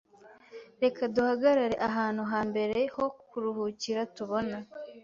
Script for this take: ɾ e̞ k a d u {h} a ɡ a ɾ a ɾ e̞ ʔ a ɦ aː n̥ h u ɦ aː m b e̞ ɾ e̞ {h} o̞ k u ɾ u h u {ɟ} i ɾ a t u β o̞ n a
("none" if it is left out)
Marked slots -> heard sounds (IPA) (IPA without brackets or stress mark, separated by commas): h, h, c